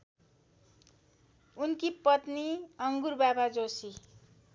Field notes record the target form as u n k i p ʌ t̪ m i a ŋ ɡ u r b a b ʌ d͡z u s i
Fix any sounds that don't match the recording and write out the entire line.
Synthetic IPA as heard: u n k i p ʌ t̪ n i ʌ ŋ ɡ u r b a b a d͡z o s i